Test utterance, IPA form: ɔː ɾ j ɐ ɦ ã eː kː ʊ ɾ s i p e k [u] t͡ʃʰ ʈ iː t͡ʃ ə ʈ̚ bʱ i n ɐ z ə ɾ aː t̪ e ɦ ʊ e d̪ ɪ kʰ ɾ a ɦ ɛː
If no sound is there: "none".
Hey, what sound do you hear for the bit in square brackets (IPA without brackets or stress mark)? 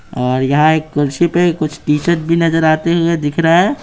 ʊ